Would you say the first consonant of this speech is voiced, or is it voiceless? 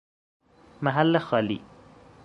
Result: voiced